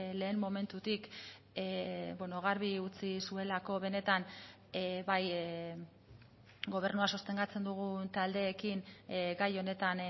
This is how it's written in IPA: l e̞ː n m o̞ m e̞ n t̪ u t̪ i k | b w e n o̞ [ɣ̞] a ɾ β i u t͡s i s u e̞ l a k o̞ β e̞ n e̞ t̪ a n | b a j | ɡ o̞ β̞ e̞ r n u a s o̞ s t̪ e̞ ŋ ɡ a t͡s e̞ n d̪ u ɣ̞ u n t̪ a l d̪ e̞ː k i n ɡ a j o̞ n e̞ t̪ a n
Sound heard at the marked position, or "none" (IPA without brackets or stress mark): ɣ̞